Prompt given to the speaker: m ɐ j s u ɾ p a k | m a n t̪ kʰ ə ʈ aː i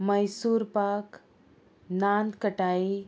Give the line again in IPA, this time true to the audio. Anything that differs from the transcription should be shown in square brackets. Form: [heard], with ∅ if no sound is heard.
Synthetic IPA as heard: m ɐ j s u ɾ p a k | [n] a n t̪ [k] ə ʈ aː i